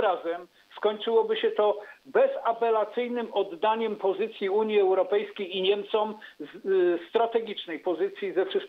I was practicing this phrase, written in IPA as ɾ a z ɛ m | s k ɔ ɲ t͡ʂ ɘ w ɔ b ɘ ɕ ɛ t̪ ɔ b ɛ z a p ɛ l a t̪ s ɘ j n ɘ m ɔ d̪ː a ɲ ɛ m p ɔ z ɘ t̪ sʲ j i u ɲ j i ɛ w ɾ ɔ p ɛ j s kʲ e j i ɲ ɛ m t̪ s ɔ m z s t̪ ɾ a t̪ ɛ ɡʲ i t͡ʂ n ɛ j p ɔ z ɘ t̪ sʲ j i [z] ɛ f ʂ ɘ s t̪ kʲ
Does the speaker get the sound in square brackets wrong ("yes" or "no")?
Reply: no